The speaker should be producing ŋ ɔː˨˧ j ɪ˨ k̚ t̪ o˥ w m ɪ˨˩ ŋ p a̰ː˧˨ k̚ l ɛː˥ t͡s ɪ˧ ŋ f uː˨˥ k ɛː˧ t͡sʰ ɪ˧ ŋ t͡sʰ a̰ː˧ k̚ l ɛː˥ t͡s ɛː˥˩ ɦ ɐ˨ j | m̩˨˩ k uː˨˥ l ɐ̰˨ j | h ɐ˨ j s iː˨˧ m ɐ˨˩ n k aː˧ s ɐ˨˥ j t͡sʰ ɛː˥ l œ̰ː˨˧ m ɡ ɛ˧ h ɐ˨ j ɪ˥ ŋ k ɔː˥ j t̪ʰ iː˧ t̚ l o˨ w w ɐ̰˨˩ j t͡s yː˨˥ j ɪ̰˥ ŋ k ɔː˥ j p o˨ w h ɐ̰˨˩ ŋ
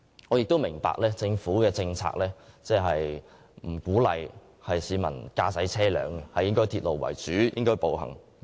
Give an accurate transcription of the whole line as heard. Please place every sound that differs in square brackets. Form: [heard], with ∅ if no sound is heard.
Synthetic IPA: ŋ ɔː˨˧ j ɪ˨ k̚ t̪ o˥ w m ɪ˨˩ ŋ p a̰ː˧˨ k̚ l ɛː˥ t͡s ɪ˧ ŋ f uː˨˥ k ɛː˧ [t͡s] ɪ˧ ŋ t͡sʰ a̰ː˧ k̚ l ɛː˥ t͡s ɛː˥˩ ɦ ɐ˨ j | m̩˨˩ k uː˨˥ l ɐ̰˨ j | h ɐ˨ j s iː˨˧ m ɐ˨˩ n k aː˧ s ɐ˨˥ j t͡sʰ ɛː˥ l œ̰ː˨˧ [ŋ] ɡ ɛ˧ h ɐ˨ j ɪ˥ ŋ k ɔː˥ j t̪ʰ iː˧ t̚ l o˨ w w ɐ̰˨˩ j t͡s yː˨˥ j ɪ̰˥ ŋ k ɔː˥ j p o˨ w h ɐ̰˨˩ ŋ